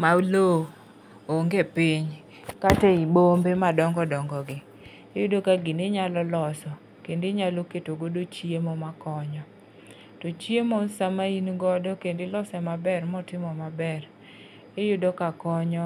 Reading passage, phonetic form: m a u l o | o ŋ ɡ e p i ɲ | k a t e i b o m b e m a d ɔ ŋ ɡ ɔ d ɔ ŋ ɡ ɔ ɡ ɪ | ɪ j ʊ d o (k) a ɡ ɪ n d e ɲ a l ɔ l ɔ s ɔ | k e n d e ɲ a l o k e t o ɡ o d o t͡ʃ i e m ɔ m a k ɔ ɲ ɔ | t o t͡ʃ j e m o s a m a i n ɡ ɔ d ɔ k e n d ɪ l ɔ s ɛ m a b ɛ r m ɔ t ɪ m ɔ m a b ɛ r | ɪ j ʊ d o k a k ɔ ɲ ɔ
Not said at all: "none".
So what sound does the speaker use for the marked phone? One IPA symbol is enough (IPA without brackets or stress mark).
k